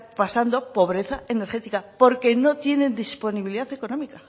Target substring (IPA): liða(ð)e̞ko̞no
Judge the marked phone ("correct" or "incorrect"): incorrect